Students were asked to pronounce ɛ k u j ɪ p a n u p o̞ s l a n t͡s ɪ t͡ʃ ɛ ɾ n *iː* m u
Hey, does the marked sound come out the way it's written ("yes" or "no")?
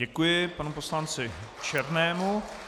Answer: no